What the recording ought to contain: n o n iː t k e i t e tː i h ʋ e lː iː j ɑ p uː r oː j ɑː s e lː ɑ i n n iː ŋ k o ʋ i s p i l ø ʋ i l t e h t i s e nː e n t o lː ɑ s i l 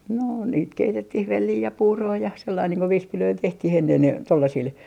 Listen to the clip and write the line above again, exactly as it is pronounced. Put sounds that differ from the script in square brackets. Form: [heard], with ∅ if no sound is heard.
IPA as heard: n o n iː t k e i t e tː i h ʋ e lː iː j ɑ p uː r oː j [ɑ] s e lː ɑ i n n iː ŋ k o ʋ i s p i l ø [∅] i l t e h t i [h] e nː e n t o lː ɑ s i l